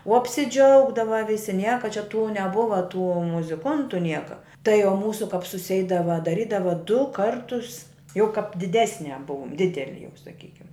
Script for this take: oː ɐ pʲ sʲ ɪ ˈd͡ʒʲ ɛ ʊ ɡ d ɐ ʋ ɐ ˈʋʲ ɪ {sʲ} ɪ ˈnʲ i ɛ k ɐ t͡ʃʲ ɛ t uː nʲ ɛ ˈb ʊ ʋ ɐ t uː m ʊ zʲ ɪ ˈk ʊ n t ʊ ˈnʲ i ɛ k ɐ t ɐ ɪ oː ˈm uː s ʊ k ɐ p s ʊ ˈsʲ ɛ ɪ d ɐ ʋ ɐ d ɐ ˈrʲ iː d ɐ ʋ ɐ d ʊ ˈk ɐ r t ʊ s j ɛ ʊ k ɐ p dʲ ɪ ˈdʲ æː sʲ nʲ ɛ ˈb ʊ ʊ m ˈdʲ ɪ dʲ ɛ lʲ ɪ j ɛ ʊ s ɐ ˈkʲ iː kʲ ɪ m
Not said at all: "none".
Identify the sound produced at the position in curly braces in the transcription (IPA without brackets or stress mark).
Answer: sʲ